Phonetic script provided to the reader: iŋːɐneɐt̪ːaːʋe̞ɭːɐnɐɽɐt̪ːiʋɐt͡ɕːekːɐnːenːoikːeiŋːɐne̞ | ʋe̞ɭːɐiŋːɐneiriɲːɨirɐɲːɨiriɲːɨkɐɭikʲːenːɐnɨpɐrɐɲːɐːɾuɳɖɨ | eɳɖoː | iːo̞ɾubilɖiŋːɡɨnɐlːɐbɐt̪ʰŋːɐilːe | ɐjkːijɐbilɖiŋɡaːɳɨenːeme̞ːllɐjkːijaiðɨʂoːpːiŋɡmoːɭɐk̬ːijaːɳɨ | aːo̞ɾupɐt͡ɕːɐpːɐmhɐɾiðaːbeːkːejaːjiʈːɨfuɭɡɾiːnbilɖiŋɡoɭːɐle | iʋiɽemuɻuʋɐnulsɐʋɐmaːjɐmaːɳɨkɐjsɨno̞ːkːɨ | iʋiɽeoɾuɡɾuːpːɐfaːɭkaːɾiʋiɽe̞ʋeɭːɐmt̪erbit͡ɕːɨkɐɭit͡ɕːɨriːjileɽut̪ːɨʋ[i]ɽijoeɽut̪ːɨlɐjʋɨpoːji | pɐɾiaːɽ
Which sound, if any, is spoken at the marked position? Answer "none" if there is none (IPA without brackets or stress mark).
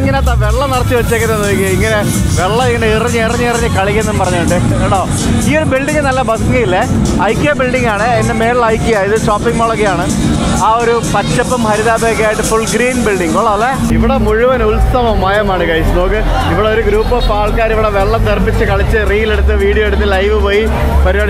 iː